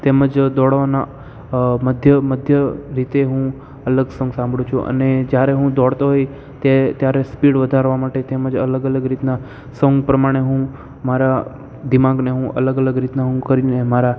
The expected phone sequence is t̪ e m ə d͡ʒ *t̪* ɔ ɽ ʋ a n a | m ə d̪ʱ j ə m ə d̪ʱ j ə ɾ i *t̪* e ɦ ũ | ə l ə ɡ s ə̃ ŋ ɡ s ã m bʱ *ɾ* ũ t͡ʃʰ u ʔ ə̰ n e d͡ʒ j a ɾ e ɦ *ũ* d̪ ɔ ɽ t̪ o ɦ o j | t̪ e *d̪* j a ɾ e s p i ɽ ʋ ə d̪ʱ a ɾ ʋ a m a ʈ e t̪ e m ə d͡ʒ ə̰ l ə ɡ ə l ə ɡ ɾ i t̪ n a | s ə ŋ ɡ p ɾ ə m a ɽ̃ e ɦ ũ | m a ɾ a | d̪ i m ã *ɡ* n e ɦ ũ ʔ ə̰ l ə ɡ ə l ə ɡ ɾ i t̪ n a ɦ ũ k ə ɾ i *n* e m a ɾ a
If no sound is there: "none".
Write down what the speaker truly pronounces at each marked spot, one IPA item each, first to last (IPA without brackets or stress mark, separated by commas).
d̪, t̪, ɽ, ũ, t̪, ɡ, n